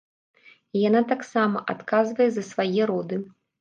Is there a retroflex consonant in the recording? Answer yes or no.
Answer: no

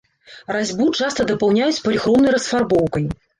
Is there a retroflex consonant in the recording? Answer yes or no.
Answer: yes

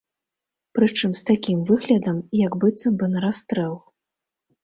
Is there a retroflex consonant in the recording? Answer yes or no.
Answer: yes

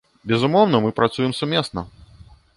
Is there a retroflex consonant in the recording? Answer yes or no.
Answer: no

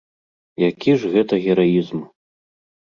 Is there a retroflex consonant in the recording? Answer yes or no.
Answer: yes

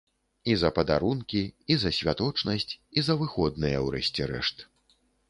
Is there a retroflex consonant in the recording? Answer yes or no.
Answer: yes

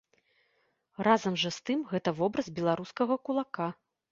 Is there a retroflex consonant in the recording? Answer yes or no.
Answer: yes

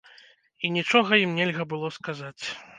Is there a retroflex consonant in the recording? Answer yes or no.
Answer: yes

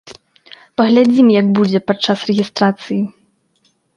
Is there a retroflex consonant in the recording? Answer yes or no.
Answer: yes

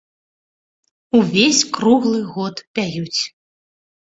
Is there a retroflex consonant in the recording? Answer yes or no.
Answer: no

